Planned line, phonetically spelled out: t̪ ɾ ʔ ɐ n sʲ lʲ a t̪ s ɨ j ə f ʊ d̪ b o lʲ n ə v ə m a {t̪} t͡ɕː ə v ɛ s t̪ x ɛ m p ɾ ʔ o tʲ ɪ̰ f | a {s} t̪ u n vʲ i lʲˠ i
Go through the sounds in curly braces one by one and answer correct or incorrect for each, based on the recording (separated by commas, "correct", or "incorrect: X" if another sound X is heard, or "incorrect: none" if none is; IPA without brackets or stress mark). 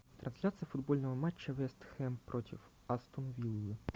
incorrect: none, correct